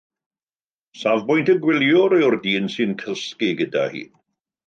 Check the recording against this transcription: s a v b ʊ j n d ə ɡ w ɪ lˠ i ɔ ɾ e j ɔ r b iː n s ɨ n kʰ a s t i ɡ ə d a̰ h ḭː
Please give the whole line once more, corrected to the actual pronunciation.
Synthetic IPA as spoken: s a v b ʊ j n t ə ɡ w ɪ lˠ j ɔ ɾ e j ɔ r d iː n s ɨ n kʰ ə s k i ɡ ə d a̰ h ḭː

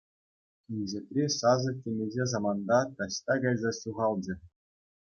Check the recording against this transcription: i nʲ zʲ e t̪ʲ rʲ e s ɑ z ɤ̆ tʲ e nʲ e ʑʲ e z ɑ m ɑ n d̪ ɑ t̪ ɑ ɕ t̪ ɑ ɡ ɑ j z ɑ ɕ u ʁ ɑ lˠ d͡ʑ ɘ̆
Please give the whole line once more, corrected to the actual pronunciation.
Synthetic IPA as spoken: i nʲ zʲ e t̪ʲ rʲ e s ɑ z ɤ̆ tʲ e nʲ e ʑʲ e z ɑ m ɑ n d̪ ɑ t̪ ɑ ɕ t̪ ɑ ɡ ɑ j z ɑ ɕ u ʁ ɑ lˠ d͡ʑ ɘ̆

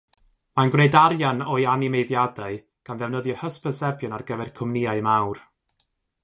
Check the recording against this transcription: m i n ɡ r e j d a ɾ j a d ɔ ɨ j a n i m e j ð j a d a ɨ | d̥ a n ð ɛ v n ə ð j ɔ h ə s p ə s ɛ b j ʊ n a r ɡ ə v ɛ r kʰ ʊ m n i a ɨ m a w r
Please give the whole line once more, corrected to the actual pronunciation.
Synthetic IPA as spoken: m a n ɡ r e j d a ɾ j a n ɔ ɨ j a n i m e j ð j a d a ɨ | ɡ̥ a n ð ɛ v n ə ð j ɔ h ə s p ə s ɛ b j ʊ n a r ɡ ə v ɛ r kʰ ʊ m n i a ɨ m a w r

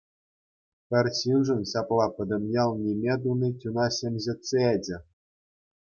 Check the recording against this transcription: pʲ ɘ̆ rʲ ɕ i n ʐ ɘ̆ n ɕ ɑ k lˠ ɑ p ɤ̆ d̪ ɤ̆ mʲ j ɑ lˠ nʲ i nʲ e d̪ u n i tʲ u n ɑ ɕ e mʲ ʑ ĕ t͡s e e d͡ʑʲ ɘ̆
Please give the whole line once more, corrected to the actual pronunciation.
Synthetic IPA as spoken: pʲ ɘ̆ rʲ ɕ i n ʐ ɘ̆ n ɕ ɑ p lˠ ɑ p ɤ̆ d̪ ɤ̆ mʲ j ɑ lˠ nʲ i mʲ e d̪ u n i tʲ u n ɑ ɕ e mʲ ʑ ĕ t͡s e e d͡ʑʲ ɘ̆

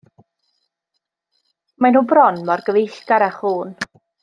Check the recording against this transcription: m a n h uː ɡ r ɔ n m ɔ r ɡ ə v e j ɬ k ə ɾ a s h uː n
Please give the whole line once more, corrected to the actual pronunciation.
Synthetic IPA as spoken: m a n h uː b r ɔ n m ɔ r ɡ ə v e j ɬ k a ɾ a χ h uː n

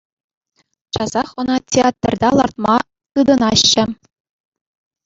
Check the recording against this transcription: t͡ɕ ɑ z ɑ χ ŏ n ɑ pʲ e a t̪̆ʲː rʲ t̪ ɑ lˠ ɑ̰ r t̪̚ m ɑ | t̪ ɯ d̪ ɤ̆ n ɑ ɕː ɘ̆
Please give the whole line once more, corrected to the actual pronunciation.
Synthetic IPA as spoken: t͡ɕ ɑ z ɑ χ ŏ n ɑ tʲ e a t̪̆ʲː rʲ d̪ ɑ lˠ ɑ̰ r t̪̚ m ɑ | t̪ ɯ d̪ ɤ̆ n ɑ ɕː ɘ̆

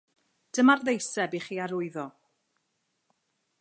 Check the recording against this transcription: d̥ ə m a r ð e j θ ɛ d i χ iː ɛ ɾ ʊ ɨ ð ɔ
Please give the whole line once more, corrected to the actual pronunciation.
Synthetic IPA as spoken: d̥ ə m a r ð e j s ɛ b i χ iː a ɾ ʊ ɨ ð ɔ

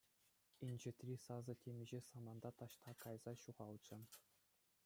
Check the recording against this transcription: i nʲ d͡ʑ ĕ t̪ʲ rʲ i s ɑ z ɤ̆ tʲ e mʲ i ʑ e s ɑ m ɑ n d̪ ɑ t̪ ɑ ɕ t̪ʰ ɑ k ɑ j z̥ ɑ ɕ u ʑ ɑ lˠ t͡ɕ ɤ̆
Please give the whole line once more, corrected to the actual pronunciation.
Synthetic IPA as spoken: i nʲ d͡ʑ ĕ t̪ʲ rʲ i s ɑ z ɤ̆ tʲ e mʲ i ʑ e s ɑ m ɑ n d̪ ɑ t̪ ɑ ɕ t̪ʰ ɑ k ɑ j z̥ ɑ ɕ u ʁ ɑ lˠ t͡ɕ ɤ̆

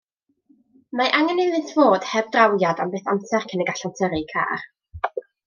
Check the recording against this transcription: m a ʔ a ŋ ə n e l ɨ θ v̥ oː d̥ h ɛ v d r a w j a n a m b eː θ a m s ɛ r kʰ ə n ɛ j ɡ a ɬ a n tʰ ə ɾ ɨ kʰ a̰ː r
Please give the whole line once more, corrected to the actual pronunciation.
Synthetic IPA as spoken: m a ʔ a ŋ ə n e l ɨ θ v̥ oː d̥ h ɛ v d r a w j a d a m b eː θ a m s ɛ r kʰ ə n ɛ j ɡ a ɬ a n tʰ ə ɾ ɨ kʰ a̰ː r

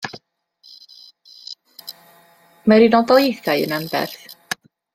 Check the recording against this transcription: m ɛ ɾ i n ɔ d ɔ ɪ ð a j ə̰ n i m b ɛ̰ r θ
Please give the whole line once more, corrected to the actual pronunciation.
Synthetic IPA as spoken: m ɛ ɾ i n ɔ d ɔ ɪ θ a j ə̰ n a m b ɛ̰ r θ

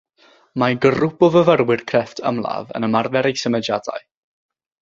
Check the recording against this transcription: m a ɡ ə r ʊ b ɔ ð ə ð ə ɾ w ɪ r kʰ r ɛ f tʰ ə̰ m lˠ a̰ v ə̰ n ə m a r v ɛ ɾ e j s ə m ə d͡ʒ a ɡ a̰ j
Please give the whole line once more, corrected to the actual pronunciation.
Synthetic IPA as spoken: m a ɡ ə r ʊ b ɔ v ə v ə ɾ w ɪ r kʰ r ɛ f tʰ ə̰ m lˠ a̰ v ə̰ n ə m a r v ɛ ɾ e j s ə m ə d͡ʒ a d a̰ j

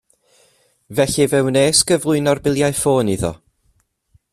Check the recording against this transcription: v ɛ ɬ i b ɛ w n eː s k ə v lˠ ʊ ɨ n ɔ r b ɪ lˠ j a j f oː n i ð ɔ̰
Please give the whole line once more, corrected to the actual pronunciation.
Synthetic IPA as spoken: v ɛ ɬ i v ɛ w n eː s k ə v lˠ ʊ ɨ n ɔ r b ɪ lˠ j a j f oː n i ð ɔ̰

